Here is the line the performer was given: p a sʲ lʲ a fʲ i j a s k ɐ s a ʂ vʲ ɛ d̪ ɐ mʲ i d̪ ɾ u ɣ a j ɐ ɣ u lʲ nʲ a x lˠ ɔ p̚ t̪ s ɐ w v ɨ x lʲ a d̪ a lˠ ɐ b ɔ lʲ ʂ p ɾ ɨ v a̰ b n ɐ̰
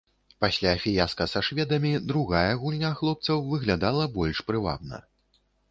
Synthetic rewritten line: p a sʲ lʲ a fʲ i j a s k ɐ s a ʂ vʲ ɛ d̪ ɐ mʲ i d̪ ɾ u ɣ a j ɐ ɣ u lʲ nʲ a x lˠ ɔ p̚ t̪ s ɐ w v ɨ ɣ lʲ a d̪ a lˠ ɐ b ɔ lʲ ʂ p ɾ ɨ v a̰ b n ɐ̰